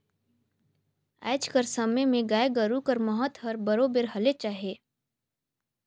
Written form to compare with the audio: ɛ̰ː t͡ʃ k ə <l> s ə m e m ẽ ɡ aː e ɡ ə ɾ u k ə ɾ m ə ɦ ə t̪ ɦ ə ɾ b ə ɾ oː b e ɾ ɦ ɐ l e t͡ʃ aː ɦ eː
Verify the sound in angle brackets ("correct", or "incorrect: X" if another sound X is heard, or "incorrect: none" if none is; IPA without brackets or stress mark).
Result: incorrect: ɾ